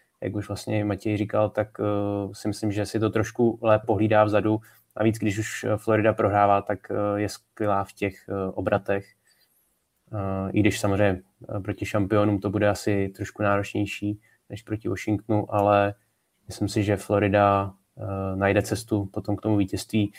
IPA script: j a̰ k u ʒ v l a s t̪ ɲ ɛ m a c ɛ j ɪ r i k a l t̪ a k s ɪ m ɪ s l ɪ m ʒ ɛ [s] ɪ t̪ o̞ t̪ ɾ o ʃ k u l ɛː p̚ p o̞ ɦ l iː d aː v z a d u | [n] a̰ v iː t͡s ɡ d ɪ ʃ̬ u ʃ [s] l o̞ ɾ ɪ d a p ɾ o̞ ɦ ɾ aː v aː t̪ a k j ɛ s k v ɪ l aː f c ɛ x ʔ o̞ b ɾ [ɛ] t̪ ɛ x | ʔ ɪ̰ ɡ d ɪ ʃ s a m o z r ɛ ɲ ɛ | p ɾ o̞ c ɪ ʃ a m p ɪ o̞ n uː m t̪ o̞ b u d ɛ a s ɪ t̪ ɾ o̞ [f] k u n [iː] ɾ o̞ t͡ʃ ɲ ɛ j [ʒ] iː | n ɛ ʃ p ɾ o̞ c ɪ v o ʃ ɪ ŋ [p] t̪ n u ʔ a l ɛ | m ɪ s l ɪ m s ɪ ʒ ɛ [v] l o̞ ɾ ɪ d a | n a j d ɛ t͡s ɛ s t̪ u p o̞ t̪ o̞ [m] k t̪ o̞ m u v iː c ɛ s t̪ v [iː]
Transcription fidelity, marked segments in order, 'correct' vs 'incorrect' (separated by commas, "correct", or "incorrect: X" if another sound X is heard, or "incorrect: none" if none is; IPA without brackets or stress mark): correct, correct, incorrect: f, incorrect: a, incorrect: ʃ, incorrect: aː, incorrect: ʃ, incorrect: k, incorrect: f, correct, correct